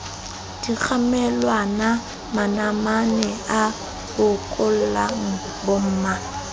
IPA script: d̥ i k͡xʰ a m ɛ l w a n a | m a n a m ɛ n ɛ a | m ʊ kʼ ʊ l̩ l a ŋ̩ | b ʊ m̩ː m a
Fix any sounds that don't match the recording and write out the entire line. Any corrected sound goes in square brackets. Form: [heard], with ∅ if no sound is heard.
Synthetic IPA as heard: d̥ i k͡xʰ a m ɛ l w a n a | m a n a m [a] n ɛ a | [b] ʊ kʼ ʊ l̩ l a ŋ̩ | b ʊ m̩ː m a